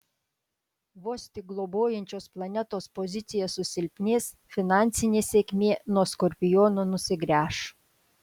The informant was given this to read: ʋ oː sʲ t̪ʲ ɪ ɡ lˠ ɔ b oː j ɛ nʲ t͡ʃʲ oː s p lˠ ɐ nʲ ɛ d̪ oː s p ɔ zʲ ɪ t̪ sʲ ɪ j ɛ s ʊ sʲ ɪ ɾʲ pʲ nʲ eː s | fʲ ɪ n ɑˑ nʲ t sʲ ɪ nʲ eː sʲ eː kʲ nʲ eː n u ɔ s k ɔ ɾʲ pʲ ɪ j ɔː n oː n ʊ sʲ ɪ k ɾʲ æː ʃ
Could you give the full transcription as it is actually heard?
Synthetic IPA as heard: ʋ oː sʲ t̪ʲ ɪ ɡ lˠ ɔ b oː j ɛ nʲ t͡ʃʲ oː s p lˠ ɐ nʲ ɛ t̪ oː s p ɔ zʲ ɪ t̪ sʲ ɪ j ɛ s ʊ sʲ ɪ lʲ pʲ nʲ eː s | fʲ ɪ n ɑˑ nʲ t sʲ ɪ nʲ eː sʲ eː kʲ mʲ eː n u ɔ s k ɔ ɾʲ pʲ ɪ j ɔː n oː n ʊ sʲ ɪ ɡ ɾʲ æː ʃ